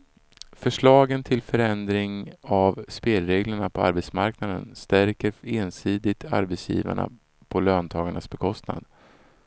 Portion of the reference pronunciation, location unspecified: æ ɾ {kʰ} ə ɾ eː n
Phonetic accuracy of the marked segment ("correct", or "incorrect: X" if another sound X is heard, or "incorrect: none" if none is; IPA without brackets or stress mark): incorrect: k